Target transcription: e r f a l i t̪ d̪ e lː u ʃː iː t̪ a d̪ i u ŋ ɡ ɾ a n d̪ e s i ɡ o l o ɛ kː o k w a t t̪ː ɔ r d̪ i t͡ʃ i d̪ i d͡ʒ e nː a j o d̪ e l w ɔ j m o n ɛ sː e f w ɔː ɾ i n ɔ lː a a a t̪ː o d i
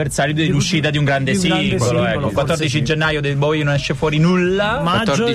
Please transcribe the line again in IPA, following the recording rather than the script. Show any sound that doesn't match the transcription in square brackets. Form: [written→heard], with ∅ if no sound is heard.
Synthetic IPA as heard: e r [f→s] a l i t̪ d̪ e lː u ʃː iː t̪ a d̪ i u ŋ ɡ ɾ a n d̪ e s i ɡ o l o ɛ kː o k w a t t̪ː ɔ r d̪ i t͡ʃ i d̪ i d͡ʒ e nː a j o d̪ e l [w→b] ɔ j [m→n] o n ɛ [sː→ʃː] e f w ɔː ɾ i n [ɔ→u] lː a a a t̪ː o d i